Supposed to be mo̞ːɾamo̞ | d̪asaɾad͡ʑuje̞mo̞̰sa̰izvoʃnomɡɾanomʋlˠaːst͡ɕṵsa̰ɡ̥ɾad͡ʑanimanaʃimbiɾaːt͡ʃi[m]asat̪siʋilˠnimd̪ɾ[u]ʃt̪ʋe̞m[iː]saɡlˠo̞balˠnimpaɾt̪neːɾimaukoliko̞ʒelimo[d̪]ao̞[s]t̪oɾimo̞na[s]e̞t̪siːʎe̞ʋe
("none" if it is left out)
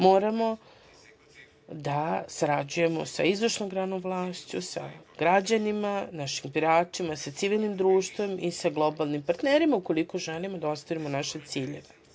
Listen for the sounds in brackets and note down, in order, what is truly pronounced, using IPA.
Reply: m, uː, i, d̪, s, ʃ

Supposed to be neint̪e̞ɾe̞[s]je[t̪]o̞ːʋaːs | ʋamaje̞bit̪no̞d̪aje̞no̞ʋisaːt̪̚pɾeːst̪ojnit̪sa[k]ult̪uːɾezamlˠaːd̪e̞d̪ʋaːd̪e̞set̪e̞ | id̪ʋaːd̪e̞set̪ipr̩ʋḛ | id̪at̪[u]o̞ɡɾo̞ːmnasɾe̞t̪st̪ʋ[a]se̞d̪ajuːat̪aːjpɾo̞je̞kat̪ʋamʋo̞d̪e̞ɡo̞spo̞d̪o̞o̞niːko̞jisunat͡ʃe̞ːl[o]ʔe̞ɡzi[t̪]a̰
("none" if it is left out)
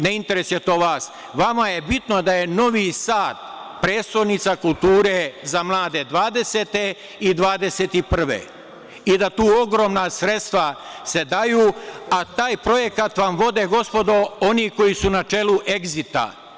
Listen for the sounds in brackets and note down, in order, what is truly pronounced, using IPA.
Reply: s, t̪, k, uː, a, u, t̪

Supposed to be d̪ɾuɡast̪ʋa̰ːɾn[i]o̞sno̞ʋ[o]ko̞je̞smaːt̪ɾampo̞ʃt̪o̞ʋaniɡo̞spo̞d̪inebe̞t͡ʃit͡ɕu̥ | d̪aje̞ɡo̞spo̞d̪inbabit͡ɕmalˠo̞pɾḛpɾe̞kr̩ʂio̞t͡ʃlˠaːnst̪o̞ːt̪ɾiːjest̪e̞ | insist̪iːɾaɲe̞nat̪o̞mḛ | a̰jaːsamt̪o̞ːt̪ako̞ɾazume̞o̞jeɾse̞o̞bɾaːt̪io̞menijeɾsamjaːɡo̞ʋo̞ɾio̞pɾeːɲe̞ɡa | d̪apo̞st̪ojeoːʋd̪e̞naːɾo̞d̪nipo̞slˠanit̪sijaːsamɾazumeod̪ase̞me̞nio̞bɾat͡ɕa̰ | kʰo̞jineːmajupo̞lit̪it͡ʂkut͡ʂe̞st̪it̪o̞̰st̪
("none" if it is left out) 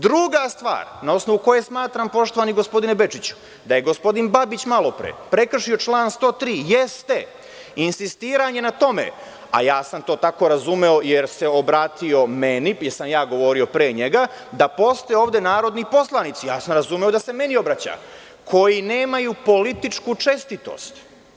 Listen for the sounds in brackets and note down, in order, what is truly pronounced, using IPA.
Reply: a, u

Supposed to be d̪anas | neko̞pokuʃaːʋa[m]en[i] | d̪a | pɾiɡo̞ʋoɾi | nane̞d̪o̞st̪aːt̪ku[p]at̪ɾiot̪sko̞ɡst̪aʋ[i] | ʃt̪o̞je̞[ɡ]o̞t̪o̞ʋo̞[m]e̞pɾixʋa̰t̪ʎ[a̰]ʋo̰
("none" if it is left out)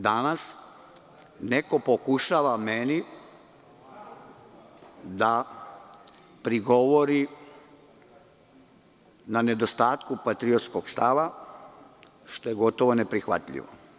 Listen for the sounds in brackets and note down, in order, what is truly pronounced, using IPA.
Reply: m, i, p, a, ɡ, n, ḭ

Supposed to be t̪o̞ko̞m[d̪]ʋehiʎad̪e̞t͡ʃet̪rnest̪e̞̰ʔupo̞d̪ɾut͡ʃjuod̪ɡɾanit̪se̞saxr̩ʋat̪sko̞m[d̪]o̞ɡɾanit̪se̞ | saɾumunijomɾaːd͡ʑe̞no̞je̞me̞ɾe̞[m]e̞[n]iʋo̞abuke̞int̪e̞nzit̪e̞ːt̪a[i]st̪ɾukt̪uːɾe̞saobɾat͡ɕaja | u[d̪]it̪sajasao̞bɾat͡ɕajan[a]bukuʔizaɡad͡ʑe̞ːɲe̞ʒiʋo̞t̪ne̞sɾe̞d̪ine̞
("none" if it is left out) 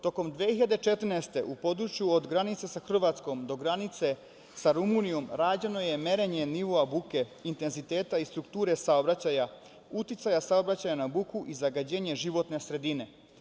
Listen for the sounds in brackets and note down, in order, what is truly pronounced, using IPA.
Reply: d̪, d̪, ɲ, n, i, t̪, a

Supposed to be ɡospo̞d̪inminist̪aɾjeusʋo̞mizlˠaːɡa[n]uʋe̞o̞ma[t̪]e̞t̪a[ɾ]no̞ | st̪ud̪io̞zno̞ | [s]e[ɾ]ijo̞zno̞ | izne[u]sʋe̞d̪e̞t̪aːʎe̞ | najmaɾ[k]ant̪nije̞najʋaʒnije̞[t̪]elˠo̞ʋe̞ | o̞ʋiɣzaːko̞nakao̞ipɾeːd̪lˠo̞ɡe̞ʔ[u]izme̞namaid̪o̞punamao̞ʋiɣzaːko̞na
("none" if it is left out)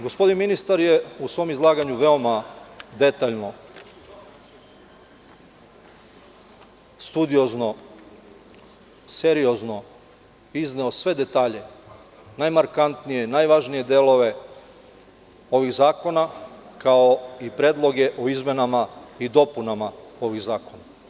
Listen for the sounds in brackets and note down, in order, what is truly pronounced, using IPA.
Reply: ɲ, d̪, ʎ, s, ɾ, o, k, d̪, o

